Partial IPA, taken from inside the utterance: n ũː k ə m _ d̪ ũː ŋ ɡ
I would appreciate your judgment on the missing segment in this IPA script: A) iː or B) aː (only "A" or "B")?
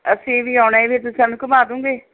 B